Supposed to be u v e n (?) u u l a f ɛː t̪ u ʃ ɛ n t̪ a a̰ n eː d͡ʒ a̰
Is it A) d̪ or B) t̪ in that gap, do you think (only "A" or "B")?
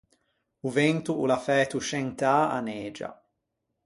B